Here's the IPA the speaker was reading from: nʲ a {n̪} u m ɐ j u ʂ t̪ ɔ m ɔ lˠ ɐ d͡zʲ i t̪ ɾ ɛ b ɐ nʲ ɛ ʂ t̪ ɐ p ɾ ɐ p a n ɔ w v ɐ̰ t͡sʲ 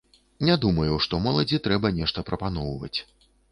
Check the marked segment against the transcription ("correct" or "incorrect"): incorrect